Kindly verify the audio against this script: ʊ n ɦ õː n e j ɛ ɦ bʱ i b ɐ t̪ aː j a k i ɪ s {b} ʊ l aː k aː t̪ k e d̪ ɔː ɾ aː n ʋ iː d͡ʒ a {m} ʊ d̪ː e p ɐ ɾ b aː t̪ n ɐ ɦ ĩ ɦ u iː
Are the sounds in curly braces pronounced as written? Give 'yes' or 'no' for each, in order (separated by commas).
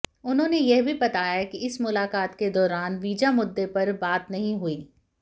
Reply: no, yes